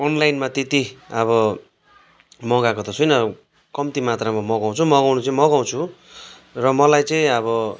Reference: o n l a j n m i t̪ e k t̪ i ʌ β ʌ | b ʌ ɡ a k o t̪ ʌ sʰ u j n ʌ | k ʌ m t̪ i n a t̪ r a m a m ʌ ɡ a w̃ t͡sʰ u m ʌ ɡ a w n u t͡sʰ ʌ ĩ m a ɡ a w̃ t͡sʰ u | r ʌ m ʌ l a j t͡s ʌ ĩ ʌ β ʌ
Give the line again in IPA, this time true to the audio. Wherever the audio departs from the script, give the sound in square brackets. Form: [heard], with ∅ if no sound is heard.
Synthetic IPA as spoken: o n l a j n m [a] t̪ e [∅] t̪ i ʌ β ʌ | [m] ʌ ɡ a k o t̪ ʌ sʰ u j n ʌ | k ʌ m t̪ i [m] a t̪ r a m a m ʌ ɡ a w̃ t͡sʰ u m ʌ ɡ a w n u [t͡s] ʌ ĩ m [ʌ] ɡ a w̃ t͡sʰ u | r ʌ m ʌ l a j t͡s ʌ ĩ ʌ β ʌ